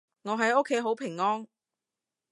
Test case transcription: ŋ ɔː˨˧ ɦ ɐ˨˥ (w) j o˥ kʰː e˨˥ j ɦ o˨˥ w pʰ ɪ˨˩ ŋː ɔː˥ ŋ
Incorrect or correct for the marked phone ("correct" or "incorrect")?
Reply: incorrect